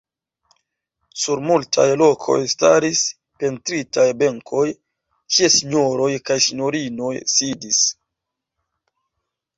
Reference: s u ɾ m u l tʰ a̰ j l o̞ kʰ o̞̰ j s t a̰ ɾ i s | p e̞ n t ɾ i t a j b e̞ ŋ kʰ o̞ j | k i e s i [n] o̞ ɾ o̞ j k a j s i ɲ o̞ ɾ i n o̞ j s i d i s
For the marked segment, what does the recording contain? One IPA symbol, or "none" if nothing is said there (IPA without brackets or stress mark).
ɲ